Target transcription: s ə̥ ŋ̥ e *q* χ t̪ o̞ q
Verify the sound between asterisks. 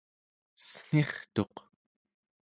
incorrect: none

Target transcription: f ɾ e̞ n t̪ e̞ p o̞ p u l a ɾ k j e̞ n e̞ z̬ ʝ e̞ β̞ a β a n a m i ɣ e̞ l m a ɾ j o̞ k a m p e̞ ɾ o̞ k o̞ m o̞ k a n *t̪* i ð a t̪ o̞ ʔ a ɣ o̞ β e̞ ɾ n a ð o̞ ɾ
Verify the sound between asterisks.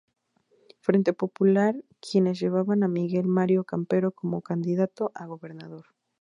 incorrect: d̪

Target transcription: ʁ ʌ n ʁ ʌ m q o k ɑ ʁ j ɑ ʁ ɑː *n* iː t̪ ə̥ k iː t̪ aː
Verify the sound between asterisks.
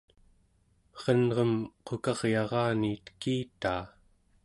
correct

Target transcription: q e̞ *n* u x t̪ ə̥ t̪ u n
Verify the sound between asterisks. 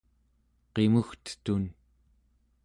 incorrect: m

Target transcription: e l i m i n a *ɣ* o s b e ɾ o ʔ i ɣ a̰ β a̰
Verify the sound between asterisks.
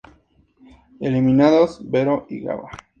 incorrect: ð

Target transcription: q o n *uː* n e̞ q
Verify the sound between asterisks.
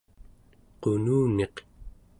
correct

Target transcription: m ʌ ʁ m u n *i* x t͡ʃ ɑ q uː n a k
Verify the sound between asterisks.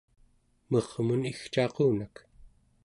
correct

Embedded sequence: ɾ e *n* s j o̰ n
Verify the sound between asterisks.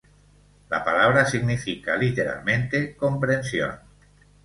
correct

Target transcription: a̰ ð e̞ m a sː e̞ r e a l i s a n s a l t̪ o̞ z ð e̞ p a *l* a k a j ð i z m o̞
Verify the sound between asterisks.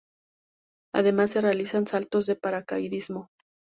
incorrect: ɾ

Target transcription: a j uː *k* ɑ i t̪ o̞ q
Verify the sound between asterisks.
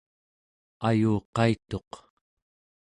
incorrect: q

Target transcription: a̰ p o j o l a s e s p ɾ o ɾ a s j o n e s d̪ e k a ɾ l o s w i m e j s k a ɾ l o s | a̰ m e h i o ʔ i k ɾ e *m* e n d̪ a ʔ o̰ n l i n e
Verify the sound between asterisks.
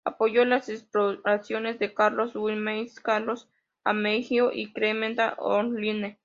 correct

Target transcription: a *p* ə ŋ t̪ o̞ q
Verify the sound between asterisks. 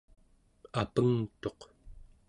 correct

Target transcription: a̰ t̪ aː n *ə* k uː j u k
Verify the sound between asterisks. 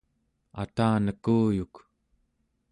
correct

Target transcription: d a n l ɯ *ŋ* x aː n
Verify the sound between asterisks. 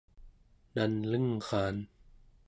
correct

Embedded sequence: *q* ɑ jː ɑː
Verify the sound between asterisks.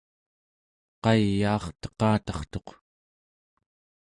correct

